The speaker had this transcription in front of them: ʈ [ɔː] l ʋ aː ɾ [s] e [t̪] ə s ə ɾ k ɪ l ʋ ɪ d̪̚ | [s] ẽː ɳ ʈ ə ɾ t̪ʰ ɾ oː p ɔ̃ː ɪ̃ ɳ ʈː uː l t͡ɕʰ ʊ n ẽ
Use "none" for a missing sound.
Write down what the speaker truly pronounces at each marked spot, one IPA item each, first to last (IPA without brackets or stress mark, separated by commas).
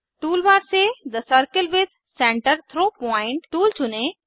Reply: uː, s, d̪, s